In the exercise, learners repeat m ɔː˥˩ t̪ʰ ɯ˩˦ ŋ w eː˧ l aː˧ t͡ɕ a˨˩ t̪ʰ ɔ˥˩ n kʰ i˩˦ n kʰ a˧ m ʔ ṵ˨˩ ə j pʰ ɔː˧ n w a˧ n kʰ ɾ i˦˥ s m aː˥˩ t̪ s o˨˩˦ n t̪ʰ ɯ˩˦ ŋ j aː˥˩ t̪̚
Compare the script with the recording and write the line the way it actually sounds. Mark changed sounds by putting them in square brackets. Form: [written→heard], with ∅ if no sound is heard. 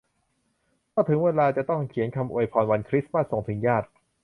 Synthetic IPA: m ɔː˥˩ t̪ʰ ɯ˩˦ ŋ w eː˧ l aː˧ t͡ɕ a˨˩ [t̪ʰ→t̪] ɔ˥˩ [n→ŋ] kʰ i˩˦ n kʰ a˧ m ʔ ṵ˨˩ ə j pʰ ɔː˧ n w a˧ n kʰ ɾ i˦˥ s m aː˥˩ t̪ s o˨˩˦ [n→ŋ] t̪ʰ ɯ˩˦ ŋ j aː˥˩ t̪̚